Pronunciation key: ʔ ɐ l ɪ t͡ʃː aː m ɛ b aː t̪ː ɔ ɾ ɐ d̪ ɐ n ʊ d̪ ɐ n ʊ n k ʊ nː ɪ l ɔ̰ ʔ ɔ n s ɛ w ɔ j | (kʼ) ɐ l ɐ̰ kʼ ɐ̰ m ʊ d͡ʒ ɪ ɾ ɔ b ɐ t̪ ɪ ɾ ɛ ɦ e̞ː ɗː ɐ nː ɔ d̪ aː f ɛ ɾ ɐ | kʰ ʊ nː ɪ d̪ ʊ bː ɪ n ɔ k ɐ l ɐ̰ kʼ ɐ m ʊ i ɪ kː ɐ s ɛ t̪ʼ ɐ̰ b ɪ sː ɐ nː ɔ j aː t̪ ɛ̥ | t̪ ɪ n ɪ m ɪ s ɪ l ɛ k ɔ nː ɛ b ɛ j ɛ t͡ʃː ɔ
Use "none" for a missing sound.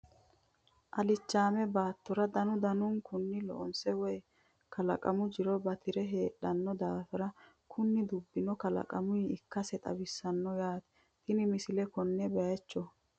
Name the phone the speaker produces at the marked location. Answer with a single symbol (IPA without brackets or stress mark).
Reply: k